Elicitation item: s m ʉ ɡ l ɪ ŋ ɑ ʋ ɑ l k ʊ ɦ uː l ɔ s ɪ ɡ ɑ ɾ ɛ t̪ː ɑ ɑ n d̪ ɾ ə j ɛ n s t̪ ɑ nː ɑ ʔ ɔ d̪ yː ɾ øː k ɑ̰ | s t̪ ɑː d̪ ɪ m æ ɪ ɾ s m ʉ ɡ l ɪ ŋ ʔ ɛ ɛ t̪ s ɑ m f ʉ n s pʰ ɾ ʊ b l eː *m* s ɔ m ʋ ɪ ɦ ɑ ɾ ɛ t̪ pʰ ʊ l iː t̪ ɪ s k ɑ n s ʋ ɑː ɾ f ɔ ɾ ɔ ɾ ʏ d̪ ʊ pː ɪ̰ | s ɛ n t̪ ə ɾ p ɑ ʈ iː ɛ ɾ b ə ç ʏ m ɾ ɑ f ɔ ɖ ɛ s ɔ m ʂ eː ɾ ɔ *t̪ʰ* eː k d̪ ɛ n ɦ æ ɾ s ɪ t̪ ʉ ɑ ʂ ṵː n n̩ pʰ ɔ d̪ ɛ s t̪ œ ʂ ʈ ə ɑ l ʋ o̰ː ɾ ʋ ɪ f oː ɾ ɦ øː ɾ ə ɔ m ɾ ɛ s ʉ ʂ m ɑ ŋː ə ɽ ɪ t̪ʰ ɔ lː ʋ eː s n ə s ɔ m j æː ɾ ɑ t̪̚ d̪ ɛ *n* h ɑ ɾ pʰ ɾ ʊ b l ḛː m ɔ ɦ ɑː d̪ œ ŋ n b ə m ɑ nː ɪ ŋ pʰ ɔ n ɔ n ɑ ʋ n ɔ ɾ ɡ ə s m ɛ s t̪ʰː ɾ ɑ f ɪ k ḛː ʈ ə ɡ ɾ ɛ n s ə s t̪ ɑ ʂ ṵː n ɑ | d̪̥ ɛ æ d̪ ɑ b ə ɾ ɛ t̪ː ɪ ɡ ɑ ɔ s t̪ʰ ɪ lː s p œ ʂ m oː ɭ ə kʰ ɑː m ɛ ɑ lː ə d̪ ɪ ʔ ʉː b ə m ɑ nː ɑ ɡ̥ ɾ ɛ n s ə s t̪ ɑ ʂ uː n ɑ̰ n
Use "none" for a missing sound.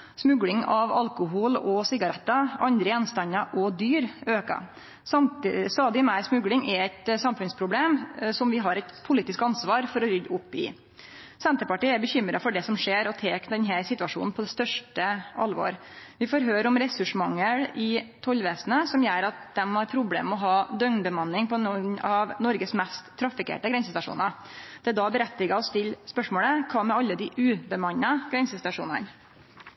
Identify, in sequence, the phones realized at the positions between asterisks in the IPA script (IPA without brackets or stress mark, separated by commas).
m, t̪ʰ, m